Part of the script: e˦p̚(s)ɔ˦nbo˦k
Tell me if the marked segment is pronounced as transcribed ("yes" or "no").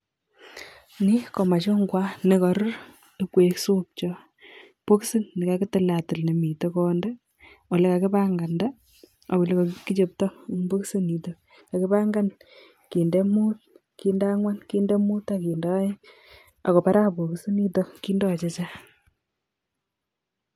no